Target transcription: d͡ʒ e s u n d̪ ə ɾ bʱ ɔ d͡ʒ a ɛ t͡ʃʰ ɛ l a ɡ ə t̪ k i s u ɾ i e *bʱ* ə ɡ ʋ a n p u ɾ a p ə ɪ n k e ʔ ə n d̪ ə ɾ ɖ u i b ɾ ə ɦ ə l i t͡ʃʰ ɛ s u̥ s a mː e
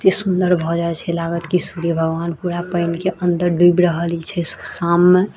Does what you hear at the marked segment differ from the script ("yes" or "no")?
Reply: no